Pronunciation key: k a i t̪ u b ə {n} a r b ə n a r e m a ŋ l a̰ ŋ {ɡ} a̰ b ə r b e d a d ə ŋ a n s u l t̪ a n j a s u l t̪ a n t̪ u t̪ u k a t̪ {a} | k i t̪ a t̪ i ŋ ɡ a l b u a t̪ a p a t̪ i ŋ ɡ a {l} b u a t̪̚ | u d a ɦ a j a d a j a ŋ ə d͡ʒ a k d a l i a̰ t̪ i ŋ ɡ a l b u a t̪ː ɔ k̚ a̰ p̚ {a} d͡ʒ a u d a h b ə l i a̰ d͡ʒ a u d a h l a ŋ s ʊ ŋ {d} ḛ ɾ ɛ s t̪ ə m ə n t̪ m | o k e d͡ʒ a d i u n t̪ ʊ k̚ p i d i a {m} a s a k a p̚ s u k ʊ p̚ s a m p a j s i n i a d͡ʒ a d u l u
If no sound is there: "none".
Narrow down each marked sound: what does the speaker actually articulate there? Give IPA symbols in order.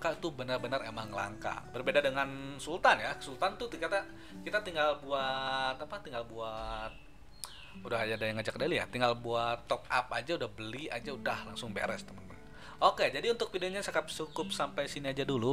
n, k, a, l, a, b, ɲ

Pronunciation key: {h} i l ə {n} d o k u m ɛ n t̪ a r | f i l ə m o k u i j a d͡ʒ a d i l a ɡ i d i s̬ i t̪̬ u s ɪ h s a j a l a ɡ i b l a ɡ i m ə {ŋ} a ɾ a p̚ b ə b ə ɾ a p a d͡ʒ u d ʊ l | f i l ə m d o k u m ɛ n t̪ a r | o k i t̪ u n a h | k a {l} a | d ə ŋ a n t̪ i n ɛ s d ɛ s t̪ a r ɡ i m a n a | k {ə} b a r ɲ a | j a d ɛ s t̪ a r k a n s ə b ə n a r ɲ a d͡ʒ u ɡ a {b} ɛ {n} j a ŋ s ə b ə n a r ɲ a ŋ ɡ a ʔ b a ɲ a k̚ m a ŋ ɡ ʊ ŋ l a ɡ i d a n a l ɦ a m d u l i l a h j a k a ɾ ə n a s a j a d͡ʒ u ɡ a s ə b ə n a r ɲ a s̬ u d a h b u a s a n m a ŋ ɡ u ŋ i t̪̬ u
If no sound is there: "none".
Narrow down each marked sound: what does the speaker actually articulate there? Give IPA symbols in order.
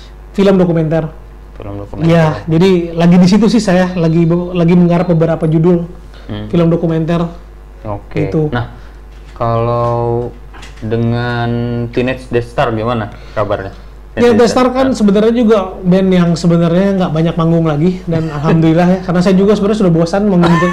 f, m, ŋ, l, a, b, n

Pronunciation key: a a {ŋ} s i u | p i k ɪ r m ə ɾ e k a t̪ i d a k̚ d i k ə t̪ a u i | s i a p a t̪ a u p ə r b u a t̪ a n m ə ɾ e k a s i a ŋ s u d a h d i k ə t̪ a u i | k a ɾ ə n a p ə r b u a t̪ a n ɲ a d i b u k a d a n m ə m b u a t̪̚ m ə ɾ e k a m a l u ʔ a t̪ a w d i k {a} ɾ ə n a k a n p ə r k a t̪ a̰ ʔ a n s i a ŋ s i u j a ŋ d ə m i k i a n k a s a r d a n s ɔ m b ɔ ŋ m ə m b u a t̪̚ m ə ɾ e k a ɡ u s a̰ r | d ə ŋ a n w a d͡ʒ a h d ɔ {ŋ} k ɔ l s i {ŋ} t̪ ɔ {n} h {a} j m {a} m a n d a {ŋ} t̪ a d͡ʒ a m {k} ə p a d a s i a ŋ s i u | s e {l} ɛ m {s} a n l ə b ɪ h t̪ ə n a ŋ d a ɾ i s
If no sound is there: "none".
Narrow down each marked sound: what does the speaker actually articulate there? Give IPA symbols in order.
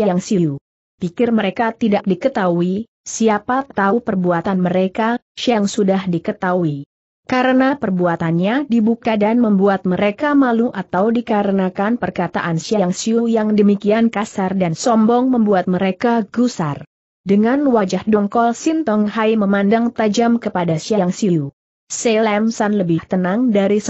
ŋ, a, ŋ, n, ŋ, a, ə, ŋ, k, l, s

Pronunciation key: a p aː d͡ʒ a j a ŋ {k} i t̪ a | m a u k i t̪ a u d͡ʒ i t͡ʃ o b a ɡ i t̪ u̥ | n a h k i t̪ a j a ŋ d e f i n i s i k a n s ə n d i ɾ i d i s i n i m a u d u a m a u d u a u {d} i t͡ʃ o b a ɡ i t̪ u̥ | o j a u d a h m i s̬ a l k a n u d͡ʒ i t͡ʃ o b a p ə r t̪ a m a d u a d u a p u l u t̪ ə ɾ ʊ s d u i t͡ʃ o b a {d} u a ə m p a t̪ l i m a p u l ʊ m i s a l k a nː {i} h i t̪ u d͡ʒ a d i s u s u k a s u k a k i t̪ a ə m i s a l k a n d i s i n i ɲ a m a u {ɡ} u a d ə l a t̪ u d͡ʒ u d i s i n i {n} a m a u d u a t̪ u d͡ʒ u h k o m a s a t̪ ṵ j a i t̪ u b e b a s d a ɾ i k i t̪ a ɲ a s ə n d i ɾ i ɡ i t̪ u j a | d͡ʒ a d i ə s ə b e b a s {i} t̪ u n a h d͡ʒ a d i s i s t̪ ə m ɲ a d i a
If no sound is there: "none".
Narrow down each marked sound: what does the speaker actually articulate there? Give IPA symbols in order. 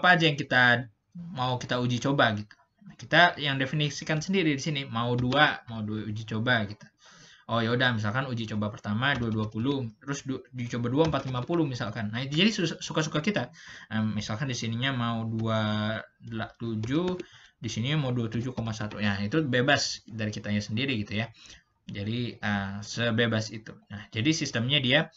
k, d͡ʒ, d, a, d, ɲ, i

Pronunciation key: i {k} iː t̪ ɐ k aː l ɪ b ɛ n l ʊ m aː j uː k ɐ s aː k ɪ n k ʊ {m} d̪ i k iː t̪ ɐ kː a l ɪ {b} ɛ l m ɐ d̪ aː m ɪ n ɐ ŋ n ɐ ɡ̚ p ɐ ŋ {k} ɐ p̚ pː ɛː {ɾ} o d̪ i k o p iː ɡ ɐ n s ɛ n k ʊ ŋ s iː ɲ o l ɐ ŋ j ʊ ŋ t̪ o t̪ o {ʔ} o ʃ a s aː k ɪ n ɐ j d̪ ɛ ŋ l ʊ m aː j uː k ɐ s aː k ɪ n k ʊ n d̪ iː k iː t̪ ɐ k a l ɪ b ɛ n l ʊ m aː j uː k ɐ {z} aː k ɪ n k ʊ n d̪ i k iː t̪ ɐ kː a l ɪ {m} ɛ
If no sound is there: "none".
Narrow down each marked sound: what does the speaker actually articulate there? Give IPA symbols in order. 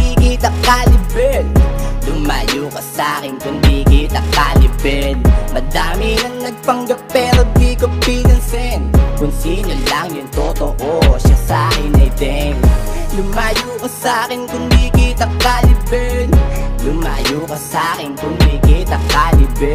k, n, b, ɡ, ɾ, ʔ, s, b

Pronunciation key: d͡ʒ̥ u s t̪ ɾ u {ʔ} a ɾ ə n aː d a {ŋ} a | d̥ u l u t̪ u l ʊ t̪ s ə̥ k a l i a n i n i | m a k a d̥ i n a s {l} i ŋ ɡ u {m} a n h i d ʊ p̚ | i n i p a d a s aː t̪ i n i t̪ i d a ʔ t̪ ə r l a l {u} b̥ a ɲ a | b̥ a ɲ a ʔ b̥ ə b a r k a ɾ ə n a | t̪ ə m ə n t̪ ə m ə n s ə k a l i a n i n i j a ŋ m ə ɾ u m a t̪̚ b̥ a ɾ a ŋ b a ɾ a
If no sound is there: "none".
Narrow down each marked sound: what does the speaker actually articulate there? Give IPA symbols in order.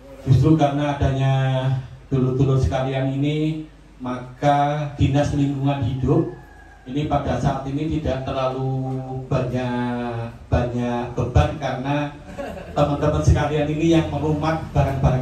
k, ɲ, l, ŋ, u

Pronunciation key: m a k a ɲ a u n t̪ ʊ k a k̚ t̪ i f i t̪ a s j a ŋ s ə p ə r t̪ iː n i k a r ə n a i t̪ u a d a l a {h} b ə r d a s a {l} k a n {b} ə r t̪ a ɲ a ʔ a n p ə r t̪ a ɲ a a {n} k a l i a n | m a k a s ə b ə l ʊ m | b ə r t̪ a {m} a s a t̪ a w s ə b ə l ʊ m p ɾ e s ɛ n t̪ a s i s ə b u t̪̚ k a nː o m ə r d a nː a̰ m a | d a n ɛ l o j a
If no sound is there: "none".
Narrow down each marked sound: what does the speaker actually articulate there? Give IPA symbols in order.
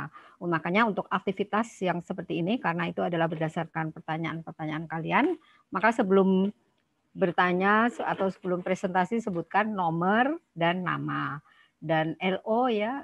h, r, p, n, ɲ

